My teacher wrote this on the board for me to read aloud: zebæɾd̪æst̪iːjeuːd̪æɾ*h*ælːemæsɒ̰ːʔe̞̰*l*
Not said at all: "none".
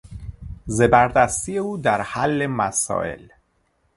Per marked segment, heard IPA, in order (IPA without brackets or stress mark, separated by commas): h, l